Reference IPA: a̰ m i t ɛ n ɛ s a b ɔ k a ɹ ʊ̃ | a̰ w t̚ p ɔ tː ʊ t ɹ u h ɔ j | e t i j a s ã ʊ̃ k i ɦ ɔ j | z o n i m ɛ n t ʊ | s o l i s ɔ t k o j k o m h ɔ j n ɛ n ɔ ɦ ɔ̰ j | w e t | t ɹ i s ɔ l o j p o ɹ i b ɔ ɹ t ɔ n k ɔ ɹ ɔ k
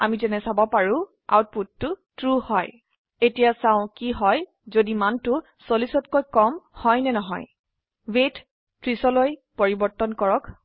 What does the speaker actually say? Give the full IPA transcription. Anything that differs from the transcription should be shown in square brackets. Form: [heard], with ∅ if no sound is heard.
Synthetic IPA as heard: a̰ m i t ɛ n ɛ s a b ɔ [p] a ɹ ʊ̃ | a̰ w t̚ p [u] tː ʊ t ɹ u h ɔ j | e t i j a s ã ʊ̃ k i ɦ ɔ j | z o [d] i m [a] n t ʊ | s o l i s ɔ t k o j k [ɔ] m h ɔ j n ɛ n ɔ ɦ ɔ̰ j | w e t | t ɹ i s ɔ l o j p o ɹ i b ɔ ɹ t ɔ n k ɔ ɹ ɔ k